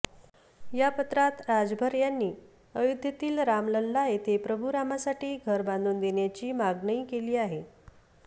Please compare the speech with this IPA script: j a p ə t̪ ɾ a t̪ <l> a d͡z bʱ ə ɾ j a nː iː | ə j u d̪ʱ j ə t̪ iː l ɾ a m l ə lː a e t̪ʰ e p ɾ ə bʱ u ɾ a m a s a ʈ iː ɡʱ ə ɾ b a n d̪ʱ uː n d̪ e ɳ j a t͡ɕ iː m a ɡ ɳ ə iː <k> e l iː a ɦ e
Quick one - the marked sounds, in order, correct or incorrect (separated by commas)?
incorrect, correct